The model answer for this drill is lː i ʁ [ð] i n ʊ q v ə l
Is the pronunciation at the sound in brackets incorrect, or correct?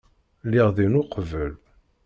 correct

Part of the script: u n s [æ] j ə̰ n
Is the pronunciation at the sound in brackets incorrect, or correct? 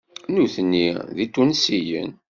incorrect: i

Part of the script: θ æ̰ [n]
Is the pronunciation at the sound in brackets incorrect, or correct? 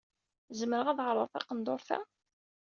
incorrect: none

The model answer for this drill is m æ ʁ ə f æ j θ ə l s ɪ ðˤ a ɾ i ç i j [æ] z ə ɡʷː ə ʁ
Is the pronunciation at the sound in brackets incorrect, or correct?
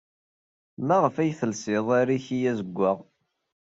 correct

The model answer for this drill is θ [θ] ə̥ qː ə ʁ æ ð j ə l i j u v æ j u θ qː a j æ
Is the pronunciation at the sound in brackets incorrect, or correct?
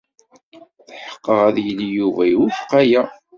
incorrect: ħ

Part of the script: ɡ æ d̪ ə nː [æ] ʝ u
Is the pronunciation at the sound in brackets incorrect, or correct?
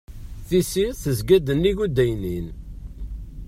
incorrect: i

